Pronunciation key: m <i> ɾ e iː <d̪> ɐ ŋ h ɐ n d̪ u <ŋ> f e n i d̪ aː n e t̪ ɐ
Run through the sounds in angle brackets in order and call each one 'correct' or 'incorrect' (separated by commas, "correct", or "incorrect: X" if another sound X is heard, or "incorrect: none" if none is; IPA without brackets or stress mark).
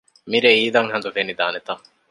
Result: correct, correct, incorrect: none